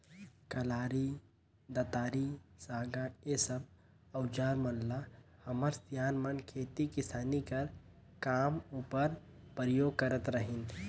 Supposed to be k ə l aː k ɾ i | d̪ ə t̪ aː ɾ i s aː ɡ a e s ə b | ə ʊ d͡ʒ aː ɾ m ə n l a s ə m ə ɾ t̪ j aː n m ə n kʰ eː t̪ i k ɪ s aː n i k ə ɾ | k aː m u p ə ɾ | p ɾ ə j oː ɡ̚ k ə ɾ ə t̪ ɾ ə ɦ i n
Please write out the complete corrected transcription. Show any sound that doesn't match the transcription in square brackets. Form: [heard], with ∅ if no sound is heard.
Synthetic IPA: k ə l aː [∅] ɾ i | d̪ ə t̪ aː ɾ i s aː ɡ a e s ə b | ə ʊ d͡ʒ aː ɾ m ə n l a [h] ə m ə ɾ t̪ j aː n m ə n kʰ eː t̪ i k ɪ s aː n i k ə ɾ | k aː m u p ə ɾ | p ɾ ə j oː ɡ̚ k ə ɾ ə t̪ ɾ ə ɦ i n